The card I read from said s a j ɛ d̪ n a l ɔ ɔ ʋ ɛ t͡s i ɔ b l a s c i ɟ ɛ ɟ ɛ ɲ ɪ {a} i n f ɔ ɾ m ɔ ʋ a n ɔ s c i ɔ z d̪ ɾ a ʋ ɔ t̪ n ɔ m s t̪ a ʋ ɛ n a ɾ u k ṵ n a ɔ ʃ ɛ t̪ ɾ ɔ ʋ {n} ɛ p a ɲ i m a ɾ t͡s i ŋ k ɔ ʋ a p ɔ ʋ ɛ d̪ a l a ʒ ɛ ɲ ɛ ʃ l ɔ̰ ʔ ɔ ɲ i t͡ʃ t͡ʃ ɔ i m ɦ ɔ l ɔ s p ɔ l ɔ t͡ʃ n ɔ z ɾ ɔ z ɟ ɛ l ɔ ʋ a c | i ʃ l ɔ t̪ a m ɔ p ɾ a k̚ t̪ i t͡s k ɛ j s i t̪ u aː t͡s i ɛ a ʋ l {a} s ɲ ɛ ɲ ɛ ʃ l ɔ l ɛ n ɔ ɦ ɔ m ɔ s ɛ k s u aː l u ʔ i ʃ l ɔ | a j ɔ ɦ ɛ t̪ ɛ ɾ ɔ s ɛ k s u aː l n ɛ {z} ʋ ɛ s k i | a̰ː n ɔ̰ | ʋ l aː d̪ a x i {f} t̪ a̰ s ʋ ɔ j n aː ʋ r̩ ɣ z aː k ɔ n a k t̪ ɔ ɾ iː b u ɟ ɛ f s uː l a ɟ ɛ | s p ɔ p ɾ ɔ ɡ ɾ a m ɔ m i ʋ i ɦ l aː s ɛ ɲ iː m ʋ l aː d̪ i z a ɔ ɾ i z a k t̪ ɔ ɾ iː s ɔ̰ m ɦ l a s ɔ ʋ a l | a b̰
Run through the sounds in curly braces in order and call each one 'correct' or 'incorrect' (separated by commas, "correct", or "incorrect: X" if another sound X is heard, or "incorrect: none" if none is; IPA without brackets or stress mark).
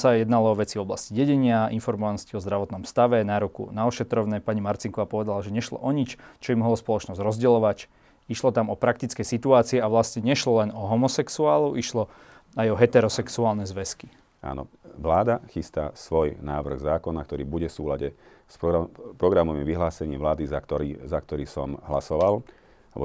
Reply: correct, correct, correct, correct, incorrect: s